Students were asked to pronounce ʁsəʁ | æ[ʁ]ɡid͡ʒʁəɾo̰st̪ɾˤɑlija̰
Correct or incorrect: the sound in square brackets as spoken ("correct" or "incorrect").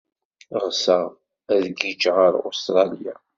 incorrect